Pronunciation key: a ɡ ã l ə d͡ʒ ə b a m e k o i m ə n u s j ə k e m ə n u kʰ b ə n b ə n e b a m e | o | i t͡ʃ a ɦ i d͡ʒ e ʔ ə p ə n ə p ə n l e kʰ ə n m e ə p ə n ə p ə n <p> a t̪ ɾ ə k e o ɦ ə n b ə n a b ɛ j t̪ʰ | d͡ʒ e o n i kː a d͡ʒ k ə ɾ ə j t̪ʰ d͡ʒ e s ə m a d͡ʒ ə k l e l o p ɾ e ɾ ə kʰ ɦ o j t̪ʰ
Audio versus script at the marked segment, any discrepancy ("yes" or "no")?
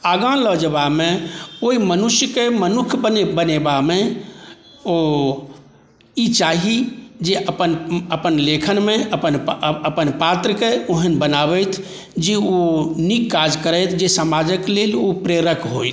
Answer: no